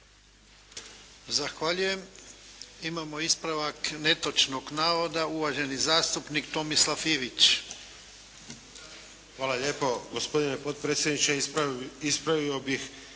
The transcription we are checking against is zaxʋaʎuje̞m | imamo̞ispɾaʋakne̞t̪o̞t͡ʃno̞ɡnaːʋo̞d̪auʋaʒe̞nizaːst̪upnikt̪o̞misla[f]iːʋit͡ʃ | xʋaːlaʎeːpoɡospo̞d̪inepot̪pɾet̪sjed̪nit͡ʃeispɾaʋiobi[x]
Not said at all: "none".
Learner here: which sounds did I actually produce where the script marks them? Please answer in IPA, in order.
f, x

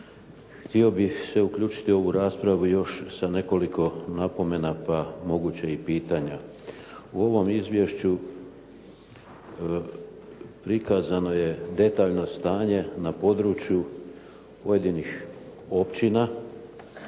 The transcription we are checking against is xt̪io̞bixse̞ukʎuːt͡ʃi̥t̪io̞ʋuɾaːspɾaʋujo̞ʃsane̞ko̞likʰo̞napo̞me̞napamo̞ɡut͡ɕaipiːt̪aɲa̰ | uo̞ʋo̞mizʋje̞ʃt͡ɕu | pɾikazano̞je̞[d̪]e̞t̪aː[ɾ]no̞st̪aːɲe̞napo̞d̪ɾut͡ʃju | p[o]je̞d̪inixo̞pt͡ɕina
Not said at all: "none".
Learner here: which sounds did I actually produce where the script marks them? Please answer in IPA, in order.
d̪, ʎ, o

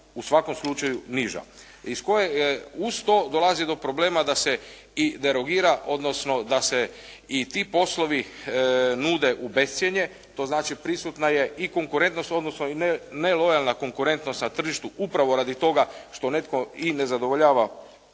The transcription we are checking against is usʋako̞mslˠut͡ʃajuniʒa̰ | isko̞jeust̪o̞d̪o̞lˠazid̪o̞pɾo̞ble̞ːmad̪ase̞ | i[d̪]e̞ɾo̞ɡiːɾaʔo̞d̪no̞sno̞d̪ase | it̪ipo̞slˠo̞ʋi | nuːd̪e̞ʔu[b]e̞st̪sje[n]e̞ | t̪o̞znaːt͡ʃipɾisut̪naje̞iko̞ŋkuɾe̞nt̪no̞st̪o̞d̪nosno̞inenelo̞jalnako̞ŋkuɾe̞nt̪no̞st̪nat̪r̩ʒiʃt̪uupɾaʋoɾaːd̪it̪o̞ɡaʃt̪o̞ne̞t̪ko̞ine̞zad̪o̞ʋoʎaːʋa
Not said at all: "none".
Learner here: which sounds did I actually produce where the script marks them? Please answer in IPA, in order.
d̪, b, ɲ

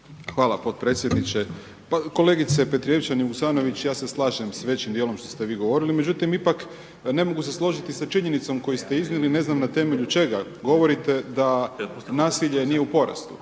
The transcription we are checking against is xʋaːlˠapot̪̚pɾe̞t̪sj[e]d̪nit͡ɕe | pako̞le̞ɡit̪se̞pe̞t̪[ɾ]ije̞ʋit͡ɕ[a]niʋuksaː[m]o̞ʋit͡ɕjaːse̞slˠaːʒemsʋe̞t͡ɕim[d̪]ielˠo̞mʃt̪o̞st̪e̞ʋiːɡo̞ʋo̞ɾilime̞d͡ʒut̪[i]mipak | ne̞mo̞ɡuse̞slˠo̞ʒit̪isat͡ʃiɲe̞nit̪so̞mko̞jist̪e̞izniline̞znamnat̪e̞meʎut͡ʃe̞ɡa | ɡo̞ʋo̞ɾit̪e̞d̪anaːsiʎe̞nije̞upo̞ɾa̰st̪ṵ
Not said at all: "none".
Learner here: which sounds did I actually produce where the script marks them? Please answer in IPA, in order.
e, ɾ, a, n, d̪, i

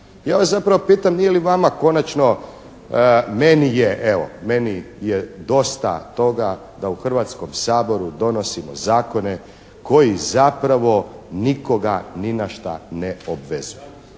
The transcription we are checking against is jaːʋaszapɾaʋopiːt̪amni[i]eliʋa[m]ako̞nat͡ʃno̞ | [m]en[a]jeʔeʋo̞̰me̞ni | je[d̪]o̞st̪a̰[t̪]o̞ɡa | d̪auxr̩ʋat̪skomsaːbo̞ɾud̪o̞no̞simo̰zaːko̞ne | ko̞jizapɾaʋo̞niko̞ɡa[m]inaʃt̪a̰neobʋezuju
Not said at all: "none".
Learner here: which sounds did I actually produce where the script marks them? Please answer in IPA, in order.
j, m, m, i, d̪, t̪, n

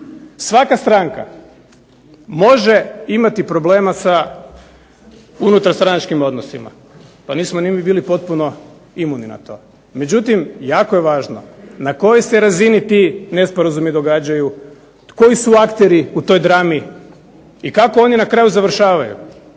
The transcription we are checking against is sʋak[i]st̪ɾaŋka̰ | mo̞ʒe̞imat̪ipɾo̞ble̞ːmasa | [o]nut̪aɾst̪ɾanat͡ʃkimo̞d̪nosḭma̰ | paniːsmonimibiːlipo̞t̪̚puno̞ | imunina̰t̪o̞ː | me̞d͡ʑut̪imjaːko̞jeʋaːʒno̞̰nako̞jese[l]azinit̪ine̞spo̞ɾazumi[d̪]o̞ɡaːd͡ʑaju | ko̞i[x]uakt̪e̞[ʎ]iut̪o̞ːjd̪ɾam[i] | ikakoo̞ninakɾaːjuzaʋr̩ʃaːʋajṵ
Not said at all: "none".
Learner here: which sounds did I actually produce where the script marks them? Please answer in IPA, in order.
a, u, ɾ, d̪, s, ɾ, i

